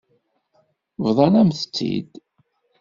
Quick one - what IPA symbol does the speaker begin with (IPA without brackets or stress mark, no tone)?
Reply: v